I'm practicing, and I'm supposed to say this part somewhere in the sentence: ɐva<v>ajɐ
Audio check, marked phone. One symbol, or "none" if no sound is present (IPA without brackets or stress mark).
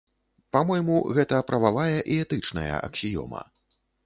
v